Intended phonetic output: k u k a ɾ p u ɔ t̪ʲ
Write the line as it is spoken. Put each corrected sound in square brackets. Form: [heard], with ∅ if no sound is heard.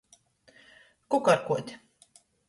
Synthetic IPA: k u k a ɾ [k] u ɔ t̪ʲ